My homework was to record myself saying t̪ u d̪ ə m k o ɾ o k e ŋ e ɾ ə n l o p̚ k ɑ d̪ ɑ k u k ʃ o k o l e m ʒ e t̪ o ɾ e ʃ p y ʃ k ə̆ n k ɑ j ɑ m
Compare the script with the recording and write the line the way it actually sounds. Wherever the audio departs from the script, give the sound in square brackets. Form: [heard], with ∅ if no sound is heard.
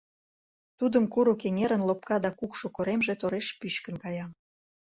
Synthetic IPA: t̪ u d̪ ə m k [u] ɾ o k e ŋ e ɾ ə n l o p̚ k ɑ d̪ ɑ k u k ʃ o k o [ɾ] e m ʒ e t̪ o ɾ e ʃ p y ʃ k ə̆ n k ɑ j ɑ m